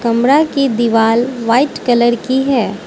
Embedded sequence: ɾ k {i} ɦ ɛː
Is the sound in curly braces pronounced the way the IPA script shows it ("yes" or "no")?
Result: yes